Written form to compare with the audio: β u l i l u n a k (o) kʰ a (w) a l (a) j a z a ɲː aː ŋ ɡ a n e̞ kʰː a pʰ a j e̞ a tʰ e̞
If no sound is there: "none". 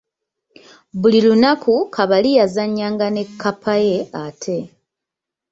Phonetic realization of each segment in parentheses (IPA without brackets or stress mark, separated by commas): u, β, i